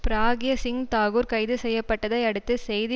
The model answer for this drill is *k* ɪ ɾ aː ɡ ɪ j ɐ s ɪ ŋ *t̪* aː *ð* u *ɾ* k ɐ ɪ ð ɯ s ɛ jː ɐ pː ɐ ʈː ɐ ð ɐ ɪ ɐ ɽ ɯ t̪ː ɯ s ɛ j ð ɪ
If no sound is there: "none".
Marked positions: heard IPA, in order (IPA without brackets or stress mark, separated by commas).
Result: p, t̪, ɣ, ɾ